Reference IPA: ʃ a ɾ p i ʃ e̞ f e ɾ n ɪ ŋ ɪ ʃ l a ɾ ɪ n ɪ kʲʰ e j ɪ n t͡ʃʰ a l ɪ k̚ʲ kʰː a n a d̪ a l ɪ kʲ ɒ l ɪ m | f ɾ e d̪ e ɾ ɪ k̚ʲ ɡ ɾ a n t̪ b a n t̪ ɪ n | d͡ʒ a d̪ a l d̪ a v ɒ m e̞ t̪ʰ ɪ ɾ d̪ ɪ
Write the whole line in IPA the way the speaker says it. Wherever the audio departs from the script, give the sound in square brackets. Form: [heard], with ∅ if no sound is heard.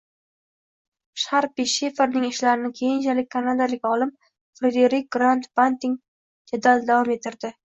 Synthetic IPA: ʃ a ɾ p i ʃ e̞ f e ɾ n ɪ ŋ ɪ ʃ l a ɾ ɪ n ɪ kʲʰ e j ɪ n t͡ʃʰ a l ɪ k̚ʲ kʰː a n a d̪ a l ɪ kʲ ɒ l ɪ m | f ɾ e d̪ e ɾ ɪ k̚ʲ ɡ ɾ a n t̪ b a n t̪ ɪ [ŋ] | d͡ʒ a d̪ a l d̪ a v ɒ m e̞ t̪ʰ ɪ ɾ d̪ ɪ